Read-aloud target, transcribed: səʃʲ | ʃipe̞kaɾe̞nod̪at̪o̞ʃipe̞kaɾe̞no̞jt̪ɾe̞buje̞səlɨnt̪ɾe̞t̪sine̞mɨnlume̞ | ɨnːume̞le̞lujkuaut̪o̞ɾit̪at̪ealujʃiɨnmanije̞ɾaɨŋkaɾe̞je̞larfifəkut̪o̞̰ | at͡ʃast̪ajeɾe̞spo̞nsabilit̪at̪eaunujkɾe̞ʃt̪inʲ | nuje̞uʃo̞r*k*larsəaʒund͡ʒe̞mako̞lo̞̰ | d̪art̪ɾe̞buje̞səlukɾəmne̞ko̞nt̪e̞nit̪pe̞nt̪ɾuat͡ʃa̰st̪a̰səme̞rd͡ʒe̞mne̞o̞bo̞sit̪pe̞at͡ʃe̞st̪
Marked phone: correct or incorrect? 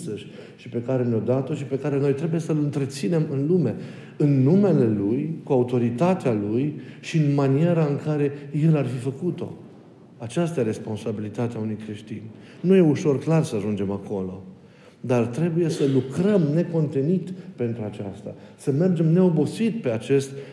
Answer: correct